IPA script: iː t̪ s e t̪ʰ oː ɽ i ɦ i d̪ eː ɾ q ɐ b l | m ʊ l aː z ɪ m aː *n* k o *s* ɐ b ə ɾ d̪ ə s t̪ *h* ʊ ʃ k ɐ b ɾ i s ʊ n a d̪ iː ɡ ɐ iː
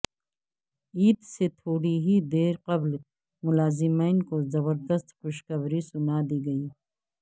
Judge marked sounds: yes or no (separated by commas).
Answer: yes, no, no